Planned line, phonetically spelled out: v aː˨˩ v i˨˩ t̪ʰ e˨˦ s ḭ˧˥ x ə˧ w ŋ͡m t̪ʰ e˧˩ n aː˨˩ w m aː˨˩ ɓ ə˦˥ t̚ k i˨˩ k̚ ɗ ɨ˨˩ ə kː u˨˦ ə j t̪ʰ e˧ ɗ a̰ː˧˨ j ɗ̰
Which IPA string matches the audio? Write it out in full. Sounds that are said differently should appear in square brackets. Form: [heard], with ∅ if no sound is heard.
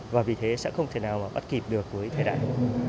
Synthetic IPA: v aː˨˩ v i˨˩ t̪ʰ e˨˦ s [ɛ̰˧˥] x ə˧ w ŋ͡m t̪ʰ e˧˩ n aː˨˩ w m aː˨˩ ɓ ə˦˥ t̚ k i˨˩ [p̚] ɗ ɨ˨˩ ə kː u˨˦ ə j t̪ʰ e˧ ɗ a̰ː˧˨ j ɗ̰